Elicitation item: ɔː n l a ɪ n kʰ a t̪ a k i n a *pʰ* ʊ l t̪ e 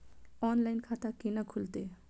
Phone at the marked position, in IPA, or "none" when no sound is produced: kʰ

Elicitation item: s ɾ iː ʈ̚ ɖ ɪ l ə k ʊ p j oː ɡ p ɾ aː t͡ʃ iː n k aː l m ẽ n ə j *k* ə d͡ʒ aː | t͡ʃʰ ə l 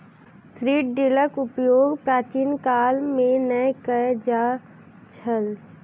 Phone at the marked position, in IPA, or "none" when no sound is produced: k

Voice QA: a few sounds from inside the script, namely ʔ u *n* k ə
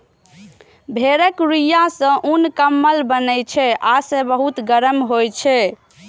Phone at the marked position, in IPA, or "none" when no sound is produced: n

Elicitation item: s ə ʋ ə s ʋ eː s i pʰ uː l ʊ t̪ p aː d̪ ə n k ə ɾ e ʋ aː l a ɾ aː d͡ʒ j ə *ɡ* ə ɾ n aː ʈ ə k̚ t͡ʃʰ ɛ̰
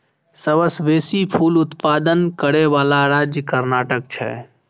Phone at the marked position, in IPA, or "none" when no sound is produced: k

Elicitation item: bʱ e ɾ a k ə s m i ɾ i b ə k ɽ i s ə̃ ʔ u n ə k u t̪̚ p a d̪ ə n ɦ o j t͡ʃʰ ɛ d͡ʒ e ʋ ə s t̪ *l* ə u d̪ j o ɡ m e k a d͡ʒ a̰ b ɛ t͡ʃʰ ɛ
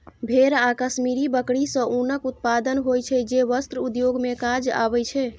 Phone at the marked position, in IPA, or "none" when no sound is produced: ɾ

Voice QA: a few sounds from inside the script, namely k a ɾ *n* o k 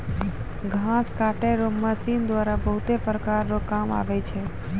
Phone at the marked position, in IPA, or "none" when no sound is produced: n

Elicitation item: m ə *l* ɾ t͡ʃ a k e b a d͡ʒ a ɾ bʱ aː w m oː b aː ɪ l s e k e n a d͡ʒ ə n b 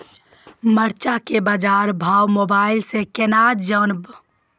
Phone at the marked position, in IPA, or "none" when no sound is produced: none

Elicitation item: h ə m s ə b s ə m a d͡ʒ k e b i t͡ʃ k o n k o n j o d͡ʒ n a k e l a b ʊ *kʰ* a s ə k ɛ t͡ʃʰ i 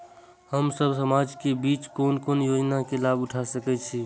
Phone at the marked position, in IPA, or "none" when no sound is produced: ʈʰ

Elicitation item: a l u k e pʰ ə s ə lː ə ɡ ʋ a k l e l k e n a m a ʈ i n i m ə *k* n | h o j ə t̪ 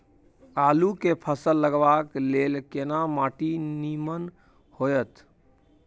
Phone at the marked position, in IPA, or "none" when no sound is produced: none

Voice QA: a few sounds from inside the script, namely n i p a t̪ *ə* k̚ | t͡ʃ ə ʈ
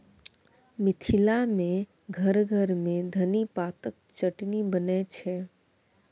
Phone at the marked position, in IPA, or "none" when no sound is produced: ə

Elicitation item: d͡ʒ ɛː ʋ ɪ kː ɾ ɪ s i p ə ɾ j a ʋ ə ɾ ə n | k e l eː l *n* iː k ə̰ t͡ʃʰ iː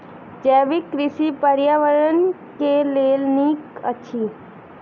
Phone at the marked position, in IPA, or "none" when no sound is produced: n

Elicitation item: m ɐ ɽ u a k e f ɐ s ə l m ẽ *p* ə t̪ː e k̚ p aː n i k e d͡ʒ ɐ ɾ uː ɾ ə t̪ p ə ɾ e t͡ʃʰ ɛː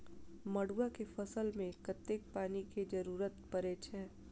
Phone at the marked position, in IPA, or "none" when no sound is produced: k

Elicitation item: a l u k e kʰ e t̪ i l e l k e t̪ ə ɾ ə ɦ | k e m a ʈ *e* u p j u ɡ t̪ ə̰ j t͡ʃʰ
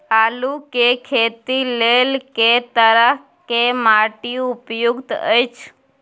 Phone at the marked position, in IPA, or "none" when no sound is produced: i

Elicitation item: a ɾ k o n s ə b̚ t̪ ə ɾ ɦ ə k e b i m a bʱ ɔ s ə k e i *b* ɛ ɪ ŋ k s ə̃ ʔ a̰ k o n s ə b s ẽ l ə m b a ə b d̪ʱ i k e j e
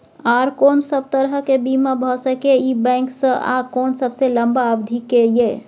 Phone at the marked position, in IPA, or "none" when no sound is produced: b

